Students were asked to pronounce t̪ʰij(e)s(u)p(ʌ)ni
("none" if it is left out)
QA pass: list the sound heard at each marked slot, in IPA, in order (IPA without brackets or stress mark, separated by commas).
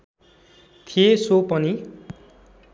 e, o, ʌ